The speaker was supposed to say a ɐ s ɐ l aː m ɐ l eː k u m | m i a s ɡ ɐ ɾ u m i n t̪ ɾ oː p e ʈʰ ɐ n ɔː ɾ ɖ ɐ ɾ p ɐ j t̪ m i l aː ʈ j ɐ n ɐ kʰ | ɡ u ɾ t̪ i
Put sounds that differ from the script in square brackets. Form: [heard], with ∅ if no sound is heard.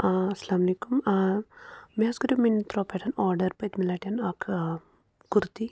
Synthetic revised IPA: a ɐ s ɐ l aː m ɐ l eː k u m | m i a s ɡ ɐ ɾ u m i n t̪ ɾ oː p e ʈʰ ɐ n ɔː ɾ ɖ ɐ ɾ p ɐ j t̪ m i l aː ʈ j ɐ n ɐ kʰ | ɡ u ɾ t̪ i